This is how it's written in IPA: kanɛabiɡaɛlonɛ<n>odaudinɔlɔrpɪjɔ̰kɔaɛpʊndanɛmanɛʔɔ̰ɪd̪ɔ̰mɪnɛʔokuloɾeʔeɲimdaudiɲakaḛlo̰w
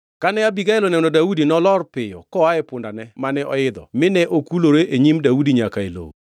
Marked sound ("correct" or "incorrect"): correct